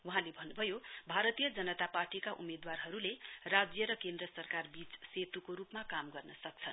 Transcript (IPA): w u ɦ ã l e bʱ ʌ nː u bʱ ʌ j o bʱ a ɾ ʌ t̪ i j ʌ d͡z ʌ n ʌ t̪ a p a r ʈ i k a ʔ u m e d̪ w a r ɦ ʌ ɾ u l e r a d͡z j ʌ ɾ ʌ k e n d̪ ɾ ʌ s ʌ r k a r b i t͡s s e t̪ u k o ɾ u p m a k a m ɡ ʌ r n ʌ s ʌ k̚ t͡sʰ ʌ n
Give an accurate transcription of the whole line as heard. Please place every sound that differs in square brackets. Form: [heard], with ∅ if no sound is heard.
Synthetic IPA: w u ɦ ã l e bʱ ʌ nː u bʱ ʌ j o bʱ a ɾ ʌ t̪ i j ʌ d͡z ʌ n ʌ t̪ a p a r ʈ i k a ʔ u m e d̪ w a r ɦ ʌ ɾ u l e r a d͡z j ʌ ɾ ʌ k e n d̪ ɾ ʌ s ʌ r k a r b i t͡s s e t̪ u k o ɾ u p m a k a m ɡ ʌ r n ʌ s ʌ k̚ t͡sʰ ʌ n